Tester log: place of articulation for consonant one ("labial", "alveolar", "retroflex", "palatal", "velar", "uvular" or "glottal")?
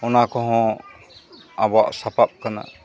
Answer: alveolar